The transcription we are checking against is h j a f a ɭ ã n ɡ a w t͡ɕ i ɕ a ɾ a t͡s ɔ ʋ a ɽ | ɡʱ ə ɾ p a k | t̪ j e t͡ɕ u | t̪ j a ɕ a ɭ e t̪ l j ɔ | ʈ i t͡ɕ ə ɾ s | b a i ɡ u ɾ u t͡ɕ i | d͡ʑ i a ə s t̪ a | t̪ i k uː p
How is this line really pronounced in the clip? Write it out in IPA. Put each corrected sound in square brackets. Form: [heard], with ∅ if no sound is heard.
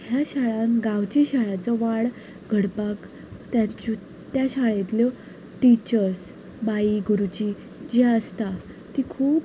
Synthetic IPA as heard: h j a [ɕ] a ɭ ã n ɡ a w t͡ɕ i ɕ a [ɭ] a t͡s ɔ ʋ a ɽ | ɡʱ ə [ɽ] p a k | t̪ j [a] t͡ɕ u | t̪ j a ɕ a ɭ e t̪ l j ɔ | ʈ i t͡ɕ ə ɾ s | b a i ɡ u ɾ u t͡ɕ i | d͡ʑ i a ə s t̪ a | t̪ i [kʰ] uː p

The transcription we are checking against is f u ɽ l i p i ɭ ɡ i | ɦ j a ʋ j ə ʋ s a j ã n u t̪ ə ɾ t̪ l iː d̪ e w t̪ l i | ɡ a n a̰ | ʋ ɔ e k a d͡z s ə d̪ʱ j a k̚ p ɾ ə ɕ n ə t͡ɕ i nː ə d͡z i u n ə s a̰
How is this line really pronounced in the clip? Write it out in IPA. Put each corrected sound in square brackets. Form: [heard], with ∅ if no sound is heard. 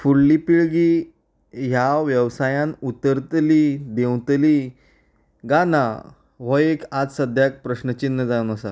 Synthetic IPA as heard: f u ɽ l i p i ɭ ɡ i | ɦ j a ʋ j ə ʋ s a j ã n u t̪ ə ɾ t̪ l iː d̪ e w t̪ l i | ɡ a n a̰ | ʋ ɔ e k a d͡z s ə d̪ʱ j a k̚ p ɾ ə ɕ n ə t͡ɕ i nː ə d͡z [a] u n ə s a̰

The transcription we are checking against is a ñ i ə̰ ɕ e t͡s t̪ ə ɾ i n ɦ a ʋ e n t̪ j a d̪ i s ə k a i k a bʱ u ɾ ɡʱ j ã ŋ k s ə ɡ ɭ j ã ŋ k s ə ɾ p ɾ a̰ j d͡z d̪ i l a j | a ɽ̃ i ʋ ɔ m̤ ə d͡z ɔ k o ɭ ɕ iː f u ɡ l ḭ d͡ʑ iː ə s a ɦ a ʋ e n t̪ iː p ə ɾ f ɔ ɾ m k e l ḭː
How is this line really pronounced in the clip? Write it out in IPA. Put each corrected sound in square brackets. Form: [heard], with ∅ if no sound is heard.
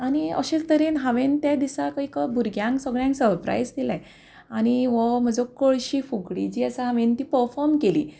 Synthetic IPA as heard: a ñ i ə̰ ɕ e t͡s t̪ ə ɾ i n ɦ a ʋ e n t̪ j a d̪ i s [a] k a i k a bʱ u ɾ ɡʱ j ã ŋ k s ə ɡ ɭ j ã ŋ k s ə ɾ p ɾ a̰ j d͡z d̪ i l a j | a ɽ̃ i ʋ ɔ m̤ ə d͡z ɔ k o ɭ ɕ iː f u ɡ [ɽ] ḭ d͡ʑ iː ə s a ɦ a ʋ e n t̪ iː p ə ɾ f ɔ ɾ m k e l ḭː

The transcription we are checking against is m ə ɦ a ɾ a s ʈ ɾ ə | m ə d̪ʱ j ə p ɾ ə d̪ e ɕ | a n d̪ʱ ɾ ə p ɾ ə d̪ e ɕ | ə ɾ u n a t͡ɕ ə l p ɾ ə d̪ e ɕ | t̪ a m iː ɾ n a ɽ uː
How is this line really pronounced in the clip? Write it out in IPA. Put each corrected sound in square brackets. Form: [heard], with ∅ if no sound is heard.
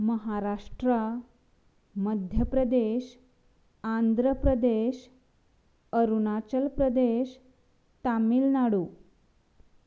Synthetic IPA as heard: m ə ɦ a ɾ a [ʂ] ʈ ɾ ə | m ə d̪ʱ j ə p ɾ ə d̪ e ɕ | a n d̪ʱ ɾ ə p ɾ ə d̪ e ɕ | ə ɾ u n a t͡ɕ ə l p ɾ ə d̪ e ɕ | t̪ a m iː [l] n a ɽ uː

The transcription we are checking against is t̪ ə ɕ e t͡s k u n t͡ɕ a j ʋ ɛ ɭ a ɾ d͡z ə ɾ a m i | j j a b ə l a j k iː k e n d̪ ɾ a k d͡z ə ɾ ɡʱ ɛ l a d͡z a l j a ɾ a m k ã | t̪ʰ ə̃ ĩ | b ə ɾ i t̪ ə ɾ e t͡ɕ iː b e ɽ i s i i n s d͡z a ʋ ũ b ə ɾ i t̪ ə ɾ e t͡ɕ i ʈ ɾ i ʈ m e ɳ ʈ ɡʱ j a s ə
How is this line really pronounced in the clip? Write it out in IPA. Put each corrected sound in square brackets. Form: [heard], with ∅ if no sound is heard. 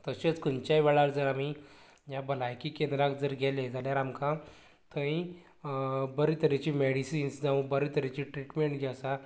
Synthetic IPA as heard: t̪ ə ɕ e t͡s k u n t͡ɕ a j ʋ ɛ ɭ a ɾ d͡z ə ɾ a m i | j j a b ə l a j k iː k e n d̪ ɾ a k d͡z ə ɾ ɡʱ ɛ l [e] d͡z a l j a ɾ a m k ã | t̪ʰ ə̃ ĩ | b ə ɾ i t̪ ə ɾ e t͡ɕ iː [m] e ɽ i s i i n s d͡z a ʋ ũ b ə ɾ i t̪ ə ɾ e t͡ɕ i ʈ ɾ i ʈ m e ɳ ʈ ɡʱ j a s [a]

